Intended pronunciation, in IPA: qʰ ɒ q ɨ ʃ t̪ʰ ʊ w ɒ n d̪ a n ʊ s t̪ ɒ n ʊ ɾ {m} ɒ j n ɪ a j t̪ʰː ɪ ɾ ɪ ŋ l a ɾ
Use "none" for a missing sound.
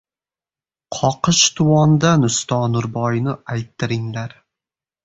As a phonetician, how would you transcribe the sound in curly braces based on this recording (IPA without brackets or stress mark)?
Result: b